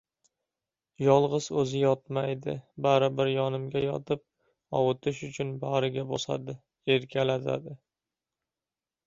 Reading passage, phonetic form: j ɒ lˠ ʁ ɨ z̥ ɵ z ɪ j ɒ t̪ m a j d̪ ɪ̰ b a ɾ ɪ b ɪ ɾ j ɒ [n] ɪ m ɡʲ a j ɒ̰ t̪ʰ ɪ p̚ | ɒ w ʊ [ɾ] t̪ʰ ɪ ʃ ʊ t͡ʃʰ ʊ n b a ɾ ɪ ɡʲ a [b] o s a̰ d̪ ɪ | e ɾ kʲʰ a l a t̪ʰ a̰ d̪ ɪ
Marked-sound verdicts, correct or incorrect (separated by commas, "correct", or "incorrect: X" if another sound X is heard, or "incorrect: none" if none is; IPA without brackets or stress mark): correct, incorrect: none, correct